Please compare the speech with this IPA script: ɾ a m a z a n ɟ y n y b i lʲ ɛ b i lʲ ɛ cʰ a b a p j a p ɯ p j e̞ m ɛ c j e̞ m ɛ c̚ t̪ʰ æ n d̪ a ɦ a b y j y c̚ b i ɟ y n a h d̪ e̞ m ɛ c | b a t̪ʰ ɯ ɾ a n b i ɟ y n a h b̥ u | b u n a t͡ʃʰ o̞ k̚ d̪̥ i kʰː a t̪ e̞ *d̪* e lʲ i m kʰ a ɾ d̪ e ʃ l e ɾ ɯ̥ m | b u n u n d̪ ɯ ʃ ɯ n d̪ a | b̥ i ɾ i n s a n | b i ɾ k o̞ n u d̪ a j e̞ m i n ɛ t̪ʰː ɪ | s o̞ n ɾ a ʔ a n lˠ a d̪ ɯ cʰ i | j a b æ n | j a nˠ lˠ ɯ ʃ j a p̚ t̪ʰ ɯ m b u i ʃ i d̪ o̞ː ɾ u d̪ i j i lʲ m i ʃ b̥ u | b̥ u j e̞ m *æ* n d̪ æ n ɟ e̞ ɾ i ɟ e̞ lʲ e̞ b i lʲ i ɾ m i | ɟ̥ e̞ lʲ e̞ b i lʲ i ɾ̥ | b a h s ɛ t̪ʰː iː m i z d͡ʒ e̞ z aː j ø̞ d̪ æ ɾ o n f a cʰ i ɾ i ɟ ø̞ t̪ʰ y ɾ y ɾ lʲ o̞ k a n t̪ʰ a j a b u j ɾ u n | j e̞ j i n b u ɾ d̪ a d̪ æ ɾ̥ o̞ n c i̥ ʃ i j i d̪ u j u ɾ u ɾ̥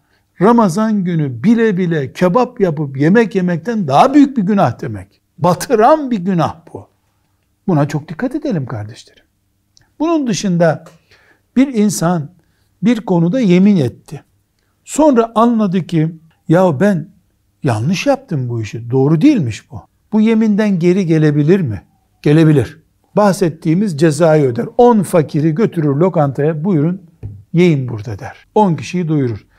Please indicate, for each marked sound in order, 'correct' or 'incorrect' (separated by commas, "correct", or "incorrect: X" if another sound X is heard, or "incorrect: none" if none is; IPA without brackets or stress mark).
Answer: correct, incorrect: i